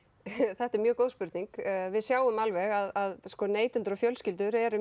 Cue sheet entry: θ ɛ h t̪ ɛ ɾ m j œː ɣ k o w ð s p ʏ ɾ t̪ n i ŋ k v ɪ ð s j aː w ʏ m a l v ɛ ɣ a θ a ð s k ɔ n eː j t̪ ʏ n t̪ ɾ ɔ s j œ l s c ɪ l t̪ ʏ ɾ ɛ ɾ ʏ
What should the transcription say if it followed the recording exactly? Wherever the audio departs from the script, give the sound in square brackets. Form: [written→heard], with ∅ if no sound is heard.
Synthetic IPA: θ ɛ h t̪ ɛ ɾ m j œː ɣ k o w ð s p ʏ ɾ t̪ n i ŋ k v ɪ ð s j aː w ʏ m a l v ɛ ɣ a [θ→ð] a ð s k ɔ n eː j t̪ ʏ n t̪ ɾ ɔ [s→f] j œ l s c ɪ l t̪ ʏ ɾ ɛ ɾ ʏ